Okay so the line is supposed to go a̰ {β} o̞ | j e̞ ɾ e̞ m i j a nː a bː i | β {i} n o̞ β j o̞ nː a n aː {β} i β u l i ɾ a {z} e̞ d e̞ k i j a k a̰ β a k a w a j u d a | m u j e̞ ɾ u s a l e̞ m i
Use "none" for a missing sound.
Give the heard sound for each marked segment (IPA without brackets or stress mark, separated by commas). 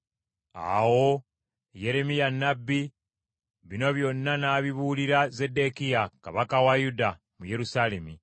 w, i, β, z